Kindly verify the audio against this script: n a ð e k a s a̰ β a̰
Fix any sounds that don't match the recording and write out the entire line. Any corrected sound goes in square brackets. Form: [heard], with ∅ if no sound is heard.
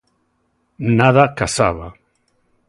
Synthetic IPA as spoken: n a ð [a] k a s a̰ β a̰